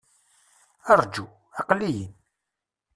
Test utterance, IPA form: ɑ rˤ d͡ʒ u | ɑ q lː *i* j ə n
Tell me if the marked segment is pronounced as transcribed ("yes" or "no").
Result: yes